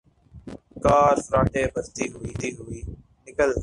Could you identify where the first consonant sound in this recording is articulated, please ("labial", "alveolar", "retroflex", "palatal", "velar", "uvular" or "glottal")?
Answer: velar